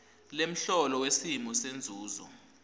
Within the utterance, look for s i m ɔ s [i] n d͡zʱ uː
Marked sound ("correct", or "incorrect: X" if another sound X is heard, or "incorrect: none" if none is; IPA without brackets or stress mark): incorrect: e